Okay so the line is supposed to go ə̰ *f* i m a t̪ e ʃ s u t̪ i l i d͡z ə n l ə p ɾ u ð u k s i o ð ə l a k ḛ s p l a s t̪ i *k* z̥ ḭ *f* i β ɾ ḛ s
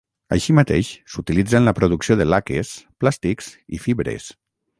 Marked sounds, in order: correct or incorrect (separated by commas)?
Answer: incorrect, correct, correct